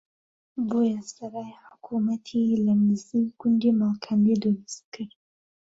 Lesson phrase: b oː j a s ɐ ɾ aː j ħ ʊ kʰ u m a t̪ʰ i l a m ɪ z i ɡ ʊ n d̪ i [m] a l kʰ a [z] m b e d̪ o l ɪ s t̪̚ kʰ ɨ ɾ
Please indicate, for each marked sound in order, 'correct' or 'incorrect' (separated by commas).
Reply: correct, incorrect